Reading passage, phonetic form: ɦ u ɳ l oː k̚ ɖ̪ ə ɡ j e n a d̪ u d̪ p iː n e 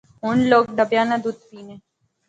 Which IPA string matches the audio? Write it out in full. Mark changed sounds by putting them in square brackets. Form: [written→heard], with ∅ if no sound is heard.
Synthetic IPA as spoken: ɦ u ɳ l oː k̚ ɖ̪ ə [ɡ→b] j [e→a] n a d̪ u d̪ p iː n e